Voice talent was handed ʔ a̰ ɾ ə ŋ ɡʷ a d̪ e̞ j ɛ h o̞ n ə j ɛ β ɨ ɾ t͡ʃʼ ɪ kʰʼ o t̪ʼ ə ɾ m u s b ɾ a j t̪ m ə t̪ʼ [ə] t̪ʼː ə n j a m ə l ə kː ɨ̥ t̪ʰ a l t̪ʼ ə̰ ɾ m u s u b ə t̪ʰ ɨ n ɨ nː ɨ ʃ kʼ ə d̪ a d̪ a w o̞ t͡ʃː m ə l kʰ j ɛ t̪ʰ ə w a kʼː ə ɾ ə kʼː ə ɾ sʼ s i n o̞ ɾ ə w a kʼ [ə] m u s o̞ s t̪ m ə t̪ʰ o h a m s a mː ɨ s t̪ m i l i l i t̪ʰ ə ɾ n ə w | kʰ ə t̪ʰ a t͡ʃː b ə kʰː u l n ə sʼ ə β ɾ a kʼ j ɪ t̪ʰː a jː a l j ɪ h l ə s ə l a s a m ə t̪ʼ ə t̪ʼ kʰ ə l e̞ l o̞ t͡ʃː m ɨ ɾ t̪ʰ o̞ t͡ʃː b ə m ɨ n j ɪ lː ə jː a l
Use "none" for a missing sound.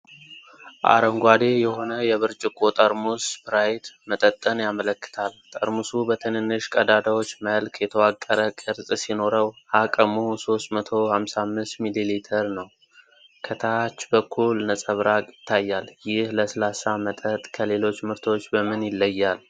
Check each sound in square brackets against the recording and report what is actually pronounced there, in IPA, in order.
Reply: ə, ə

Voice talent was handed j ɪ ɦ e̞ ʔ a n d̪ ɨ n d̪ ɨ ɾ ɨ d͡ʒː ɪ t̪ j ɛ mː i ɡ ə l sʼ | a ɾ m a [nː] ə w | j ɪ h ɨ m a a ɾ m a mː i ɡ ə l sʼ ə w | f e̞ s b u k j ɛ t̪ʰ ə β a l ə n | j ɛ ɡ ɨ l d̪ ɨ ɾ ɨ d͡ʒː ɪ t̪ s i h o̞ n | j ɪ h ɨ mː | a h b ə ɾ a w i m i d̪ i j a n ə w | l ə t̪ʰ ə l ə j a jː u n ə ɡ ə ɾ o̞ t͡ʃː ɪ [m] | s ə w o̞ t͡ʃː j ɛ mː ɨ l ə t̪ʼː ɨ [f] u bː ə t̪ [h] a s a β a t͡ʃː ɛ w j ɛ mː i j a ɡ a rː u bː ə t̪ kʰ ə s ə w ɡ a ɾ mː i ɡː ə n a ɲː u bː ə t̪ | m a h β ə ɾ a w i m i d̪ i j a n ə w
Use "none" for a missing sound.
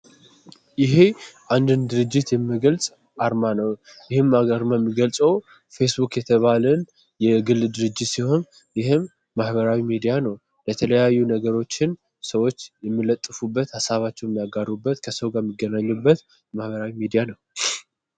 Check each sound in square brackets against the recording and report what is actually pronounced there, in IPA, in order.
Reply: n, n, f, h

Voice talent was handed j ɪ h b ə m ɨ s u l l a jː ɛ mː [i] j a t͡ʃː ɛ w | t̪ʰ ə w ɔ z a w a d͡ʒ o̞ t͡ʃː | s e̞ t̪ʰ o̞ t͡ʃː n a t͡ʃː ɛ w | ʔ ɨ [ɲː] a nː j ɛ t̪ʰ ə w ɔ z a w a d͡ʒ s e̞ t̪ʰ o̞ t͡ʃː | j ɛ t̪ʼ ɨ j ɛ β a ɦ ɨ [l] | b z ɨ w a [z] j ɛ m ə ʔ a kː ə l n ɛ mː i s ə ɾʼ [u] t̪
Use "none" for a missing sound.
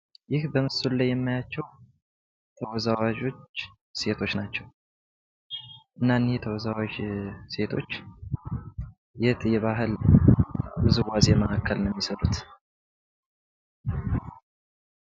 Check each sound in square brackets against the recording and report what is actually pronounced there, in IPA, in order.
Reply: a, nː, l, z, u

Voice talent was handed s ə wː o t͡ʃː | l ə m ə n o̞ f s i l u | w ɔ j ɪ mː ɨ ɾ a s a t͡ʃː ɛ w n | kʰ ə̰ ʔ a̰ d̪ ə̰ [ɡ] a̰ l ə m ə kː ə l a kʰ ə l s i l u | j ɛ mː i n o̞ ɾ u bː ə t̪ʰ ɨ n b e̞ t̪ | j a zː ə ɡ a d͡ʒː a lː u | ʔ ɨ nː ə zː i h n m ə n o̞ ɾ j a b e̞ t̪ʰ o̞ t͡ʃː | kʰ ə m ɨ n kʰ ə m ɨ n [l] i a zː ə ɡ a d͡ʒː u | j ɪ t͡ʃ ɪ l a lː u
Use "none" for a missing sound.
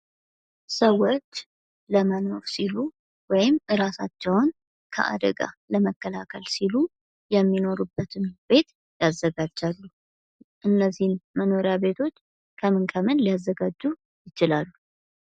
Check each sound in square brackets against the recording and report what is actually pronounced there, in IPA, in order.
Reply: ɡ, l

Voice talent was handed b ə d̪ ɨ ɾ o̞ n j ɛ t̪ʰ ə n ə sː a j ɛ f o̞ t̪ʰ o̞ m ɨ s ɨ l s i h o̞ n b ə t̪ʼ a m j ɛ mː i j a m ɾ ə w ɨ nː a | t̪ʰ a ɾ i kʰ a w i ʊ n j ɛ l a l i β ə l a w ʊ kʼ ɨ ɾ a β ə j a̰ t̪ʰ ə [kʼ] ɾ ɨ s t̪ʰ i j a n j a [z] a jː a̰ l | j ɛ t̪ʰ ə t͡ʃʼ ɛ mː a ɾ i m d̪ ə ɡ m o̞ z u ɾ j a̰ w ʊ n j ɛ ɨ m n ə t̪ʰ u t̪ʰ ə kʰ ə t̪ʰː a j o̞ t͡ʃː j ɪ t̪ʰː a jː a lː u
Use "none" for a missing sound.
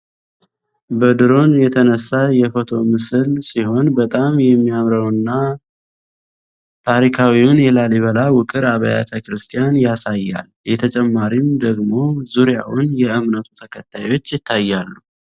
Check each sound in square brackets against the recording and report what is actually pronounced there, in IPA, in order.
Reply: k, s

